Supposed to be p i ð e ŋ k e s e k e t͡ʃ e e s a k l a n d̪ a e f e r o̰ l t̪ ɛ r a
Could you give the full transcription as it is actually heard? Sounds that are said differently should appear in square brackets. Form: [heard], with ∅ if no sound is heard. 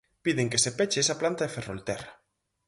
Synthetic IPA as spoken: p i ð e ŋ k e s e [p] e t͡ʃ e e s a [p] l a n [t̪] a e f e r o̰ l t̪ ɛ r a